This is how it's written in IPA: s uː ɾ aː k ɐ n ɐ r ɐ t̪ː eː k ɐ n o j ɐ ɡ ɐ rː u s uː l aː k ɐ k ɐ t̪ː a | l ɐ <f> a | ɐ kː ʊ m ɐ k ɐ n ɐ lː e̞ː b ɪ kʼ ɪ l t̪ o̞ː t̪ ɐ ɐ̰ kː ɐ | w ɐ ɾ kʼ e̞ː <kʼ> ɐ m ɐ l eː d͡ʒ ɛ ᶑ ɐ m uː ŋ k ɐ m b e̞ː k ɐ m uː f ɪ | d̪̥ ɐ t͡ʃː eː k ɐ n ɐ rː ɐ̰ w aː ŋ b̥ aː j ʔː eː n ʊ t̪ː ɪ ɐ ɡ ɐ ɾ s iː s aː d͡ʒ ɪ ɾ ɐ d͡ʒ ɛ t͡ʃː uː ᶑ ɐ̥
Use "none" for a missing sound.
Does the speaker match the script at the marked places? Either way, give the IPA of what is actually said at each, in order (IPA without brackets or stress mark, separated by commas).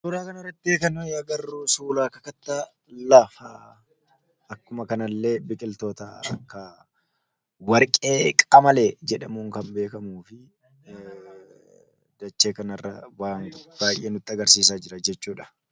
f, kʼ